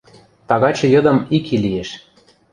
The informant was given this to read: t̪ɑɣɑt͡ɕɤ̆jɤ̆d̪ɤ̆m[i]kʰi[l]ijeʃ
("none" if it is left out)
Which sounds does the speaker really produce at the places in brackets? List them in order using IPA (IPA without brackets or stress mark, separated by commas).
i, l